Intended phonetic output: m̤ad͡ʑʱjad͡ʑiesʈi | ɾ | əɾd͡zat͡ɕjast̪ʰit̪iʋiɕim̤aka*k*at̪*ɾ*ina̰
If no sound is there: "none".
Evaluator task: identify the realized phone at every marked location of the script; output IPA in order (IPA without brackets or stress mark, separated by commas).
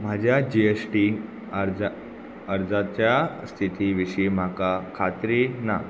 kʰ, ɾ